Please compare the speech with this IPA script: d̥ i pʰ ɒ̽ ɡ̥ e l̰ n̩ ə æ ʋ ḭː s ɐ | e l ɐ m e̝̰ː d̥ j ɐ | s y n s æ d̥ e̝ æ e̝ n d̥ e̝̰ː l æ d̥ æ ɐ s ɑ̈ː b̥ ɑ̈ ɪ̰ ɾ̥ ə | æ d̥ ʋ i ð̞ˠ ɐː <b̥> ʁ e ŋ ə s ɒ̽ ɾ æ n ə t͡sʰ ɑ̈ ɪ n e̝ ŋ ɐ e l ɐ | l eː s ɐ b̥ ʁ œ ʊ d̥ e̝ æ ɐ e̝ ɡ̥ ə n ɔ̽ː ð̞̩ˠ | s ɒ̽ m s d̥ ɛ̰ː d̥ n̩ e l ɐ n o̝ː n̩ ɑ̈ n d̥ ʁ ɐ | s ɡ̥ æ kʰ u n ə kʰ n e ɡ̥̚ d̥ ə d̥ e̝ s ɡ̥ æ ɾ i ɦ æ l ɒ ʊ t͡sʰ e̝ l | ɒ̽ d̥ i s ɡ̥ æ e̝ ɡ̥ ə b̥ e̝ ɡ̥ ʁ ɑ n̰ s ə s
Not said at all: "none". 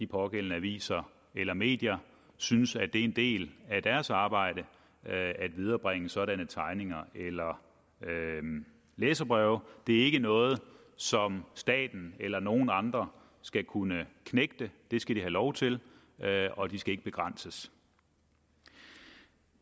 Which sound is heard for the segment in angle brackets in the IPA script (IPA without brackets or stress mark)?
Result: b̥